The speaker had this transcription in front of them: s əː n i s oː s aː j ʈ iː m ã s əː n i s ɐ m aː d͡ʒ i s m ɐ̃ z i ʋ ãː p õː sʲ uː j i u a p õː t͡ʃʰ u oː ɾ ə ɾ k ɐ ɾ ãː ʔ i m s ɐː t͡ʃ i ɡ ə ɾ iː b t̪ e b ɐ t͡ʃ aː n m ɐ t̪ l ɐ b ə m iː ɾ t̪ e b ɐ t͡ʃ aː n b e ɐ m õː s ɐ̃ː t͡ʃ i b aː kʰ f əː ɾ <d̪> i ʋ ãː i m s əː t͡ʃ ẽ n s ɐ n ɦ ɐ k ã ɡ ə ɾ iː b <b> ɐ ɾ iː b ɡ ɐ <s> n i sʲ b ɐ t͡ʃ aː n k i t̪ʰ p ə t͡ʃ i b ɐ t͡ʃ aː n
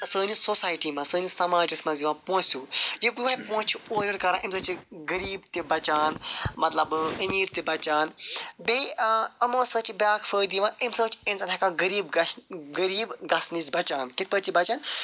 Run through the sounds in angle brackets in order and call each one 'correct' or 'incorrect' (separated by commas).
correct, incorrect, correct